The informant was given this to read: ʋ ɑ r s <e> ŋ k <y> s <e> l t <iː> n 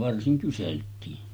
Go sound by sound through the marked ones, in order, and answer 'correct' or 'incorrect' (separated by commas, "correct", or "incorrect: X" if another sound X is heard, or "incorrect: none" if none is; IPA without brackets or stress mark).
incorrect: i, correct, correct, correct